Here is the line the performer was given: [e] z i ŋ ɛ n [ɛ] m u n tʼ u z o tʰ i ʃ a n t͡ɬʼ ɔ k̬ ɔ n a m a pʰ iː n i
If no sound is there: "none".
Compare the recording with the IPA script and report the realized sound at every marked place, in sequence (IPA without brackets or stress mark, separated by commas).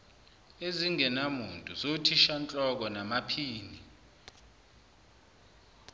e, a